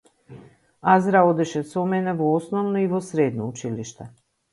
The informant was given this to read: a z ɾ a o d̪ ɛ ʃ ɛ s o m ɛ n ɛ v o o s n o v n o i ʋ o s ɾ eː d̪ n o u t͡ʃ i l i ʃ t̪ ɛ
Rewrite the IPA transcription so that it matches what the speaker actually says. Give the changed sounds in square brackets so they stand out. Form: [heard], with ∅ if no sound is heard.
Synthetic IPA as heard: a z ɾ a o d̪ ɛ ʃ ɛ s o m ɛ n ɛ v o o s n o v n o i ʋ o s ɾ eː d̪ n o u t͡ʃ i l i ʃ t̪ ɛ